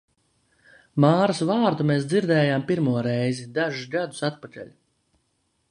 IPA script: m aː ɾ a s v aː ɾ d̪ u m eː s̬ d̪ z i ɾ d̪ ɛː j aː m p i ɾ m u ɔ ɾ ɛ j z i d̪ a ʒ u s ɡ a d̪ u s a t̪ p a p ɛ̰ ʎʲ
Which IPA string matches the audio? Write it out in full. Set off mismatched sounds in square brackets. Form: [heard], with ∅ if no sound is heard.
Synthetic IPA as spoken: m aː ɾ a s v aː ɾ d̪ u m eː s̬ d̪ z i ɾ d̪ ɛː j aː m p i ɾ m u ɔ ɾ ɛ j z i d̪ a ʒ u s ɡ a d̪ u s a t̪ p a [k] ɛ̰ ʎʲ